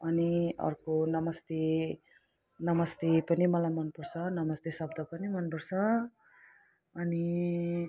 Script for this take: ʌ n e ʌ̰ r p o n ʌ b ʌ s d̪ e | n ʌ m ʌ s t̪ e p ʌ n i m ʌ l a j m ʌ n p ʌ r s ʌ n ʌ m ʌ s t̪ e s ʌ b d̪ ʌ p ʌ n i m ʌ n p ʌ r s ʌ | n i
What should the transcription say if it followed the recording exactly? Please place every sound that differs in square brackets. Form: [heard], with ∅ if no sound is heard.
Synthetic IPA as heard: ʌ n [i] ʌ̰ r [k] o n ʌ [m] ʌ s [t̪] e | n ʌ m ʌ s t̪ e p ʌ n i m ʌ l a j m ʌ n p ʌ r s ʌ n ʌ m ʌ s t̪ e s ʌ b d̪ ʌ p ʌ n i m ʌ n p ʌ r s ʌ | n i